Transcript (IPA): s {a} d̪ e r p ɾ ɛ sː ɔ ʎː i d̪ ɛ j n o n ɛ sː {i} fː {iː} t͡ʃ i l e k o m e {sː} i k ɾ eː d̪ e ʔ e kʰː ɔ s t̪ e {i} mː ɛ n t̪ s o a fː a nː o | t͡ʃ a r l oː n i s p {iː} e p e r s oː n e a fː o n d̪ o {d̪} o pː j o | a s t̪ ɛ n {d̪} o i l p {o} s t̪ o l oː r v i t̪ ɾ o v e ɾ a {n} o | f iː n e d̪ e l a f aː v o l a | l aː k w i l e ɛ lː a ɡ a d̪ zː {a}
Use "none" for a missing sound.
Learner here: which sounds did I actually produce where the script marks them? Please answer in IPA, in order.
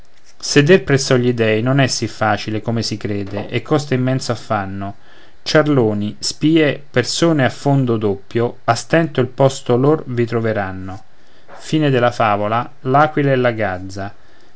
e, i, aː, s, i, iː, d̪, t̪, ɔ, nː, a

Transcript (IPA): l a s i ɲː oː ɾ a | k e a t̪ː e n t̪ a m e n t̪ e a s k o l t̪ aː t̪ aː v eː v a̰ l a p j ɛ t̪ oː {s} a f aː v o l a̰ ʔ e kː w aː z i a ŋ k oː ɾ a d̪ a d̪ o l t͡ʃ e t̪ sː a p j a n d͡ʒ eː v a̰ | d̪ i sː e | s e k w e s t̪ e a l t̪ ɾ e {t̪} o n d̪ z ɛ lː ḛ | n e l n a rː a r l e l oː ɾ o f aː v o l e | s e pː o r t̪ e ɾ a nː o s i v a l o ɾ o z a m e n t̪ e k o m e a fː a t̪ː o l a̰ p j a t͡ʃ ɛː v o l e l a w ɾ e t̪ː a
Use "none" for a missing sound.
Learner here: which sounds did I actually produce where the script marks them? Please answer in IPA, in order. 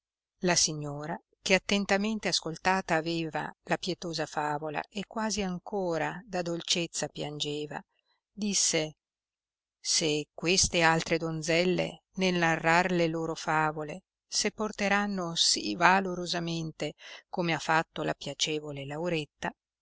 z, d̪

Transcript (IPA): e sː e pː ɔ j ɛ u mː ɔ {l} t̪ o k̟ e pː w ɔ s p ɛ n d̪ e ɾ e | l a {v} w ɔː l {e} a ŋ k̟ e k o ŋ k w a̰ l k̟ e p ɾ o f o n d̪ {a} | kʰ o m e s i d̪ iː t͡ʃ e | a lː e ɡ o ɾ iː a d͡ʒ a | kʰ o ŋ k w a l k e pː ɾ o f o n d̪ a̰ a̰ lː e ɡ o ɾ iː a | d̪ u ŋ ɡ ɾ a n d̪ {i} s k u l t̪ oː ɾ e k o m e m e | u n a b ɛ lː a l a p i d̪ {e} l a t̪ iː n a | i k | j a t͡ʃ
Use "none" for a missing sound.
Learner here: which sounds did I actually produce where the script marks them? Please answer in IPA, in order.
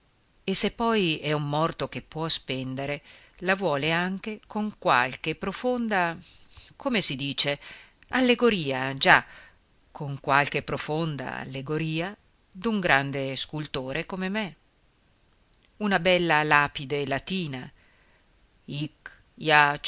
r, v, e, a, e, e

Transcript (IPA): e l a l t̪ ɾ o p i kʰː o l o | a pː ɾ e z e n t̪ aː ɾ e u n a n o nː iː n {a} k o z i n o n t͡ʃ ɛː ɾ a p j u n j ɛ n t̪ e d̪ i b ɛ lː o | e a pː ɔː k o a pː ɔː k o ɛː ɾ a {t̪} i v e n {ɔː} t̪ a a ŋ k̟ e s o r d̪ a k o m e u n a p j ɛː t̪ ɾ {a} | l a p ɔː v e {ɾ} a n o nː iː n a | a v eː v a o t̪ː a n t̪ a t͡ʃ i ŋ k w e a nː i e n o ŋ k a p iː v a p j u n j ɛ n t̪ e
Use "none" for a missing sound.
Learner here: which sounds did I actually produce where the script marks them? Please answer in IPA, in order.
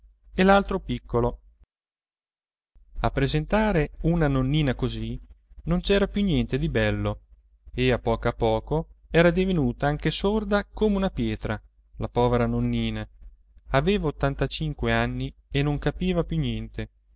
a, d̪, uː, a, ɾ

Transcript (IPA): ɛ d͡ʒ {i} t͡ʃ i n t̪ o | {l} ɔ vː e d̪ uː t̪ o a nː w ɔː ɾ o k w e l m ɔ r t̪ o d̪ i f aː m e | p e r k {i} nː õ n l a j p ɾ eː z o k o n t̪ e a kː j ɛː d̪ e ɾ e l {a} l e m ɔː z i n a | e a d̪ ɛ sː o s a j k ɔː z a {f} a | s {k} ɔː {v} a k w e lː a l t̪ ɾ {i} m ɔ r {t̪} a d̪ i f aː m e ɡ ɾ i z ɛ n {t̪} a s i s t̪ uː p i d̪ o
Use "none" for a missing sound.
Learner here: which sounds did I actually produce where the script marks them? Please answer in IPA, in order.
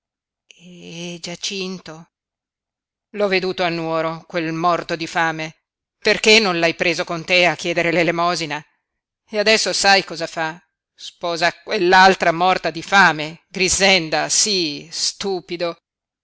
a, l, e, e, f, p, z, a, t̪, d̪

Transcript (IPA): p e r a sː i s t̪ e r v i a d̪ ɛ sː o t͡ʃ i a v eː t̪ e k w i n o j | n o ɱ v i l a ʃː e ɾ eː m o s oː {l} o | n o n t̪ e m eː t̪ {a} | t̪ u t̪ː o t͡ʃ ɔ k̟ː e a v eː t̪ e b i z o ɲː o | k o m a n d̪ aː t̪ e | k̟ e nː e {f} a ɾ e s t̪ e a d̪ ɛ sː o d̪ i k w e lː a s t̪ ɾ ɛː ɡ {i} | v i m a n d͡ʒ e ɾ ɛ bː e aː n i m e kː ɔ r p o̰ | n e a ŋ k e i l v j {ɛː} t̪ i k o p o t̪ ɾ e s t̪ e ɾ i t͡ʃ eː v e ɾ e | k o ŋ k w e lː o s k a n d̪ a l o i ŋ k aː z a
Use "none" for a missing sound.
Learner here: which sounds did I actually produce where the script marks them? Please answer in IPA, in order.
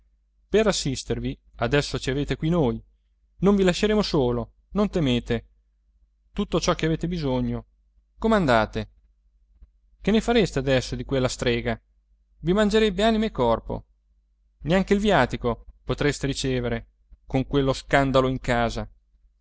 l, e, f, a, aː

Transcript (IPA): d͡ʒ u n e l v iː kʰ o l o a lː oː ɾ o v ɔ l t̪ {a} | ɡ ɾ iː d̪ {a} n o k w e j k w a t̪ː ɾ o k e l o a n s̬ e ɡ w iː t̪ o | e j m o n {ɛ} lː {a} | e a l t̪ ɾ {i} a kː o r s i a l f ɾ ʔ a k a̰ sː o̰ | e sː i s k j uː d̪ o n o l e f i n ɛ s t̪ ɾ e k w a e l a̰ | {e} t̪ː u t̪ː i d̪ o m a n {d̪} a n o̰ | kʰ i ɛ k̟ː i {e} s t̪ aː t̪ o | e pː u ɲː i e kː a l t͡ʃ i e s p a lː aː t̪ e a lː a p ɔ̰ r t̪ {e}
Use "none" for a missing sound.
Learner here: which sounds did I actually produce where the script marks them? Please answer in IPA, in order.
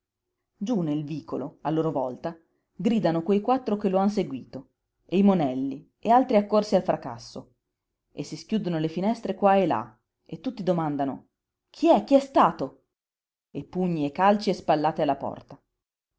a, a, ɛ, i, i, e, d̪, ɛ, a

